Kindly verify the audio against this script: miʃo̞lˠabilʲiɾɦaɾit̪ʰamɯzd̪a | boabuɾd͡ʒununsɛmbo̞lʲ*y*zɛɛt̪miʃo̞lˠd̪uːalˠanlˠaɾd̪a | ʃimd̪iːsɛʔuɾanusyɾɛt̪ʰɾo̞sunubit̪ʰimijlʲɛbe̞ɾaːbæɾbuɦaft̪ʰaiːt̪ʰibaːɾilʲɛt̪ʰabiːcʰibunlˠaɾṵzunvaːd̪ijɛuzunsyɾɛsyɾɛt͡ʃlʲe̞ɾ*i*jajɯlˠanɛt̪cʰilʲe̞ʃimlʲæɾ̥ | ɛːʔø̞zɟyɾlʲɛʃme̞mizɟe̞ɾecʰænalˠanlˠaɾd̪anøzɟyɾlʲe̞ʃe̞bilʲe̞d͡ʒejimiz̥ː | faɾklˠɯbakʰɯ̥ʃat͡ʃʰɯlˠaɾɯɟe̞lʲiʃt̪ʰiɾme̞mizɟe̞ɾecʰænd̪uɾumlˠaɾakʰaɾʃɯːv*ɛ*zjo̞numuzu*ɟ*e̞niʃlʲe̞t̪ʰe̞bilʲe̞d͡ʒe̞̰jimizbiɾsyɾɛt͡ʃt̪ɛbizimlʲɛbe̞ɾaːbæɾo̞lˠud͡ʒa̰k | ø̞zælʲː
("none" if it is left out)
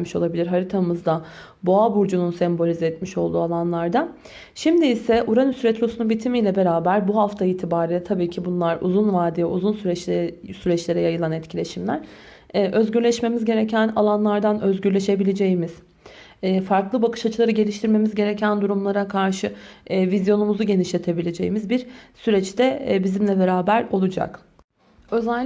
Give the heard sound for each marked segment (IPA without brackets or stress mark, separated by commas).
i, ɛ, i, ɟ